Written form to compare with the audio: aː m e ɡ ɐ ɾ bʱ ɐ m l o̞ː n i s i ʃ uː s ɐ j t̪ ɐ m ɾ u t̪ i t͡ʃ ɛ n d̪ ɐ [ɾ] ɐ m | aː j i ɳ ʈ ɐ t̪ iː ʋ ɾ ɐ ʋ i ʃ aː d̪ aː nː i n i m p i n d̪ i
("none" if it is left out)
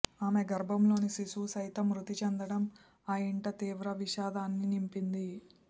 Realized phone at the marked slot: ɽ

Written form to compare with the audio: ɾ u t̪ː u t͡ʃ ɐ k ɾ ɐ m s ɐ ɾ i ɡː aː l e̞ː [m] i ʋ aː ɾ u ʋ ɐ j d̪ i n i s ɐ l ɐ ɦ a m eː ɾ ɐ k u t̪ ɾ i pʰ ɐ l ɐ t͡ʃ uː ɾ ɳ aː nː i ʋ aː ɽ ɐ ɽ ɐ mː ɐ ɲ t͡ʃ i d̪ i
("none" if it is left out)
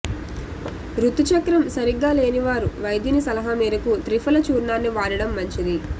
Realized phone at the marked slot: n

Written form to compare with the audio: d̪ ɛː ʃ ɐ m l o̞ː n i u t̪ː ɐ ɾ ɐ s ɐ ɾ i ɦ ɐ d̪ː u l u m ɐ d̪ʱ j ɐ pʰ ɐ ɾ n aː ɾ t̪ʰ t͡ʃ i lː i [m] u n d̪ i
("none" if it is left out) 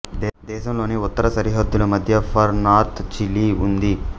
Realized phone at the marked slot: none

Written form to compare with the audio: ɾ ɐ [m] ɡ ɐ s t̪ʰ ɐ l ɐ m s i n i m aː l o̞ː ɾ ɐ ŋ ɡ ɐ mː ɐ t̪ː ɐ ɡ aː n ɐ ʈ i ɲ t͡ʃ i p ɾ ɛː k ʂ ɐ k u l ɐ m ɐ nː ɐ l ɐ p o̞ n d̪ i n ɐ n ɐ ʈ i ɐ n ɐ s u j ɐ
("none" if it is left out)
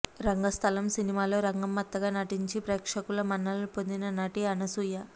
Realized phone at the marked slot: ŋ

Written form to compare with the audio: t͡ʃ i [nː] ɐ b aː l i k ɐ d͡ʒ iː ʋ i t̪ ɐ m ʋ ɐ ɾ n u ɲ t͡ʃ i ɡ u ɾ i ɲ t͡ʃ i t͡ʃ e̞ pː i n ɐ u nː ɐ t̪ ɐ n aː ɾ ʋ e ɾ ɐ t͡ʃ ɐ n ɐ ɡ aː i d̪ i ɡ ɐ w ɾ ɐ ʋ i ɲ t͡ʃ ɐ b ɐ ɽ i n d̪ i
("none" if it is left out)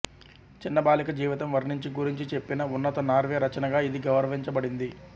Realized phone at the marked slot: nː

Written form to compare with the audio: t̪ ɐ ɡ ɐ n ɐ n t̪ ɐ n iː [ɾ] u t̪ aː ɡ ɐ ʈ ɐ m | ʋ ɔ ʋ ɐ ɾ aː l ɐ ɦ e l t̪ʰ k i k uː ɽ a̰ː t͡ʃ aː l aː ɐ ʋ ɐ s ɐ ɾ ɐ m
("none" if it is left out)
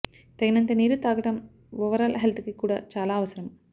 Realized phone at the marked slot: ɾ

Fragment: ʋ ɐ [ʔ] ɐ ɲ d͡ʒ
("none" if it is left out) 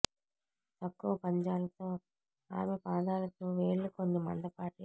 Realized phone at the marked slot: p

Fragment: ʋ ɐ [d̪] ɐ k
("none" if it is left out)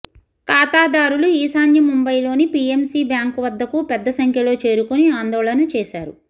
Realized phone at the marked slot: d̪ː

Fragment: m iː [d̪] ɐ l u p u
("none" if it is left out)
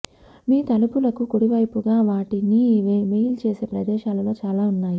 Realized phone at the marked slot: t̪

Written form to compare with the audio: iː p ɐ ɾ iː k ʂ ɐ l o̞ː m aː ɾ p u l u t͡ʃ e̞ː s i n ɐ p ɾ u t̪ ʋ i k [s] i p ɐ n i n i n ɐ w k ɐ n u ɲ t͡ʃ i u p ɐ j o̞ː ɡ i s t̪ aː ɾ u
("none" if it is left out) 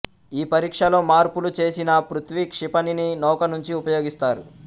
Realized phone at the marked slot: ʂ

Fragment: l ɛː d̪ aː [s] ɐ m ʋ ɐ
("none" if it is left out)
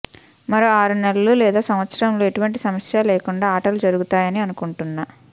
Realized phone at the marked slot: s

